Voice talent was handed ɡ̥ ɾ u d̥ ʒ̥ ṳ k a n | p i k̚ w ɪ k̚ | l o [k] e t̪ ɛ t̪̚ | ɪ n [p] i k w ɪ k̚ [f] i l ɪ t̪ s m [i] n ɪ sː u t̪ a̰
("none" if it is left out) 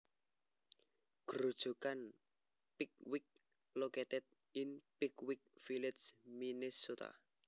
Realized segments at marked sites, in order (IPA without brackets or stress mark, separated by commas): k, p, f, i